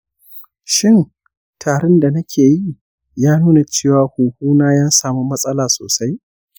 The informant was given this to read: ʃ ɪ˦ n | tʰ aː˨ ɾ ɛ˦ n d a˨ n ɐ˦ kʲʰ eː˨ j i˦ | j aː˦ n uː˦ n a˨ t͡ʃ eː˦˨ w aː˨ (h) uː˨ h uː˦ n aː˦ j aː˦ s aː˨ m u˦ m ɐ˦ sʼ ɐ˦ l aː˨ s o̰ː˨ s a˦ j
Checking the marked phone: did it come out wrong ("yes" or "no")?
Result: no